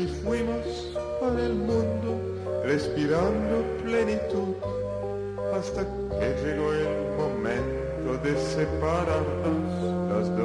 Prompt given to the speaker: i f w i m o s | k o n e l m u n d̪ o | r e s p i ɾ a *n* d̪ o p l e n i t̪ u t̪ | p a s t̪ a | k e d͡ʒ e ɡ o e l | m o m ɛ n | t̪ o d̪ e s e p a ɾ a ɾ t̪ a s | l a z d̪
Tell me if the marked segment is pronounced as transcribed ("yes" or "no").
yes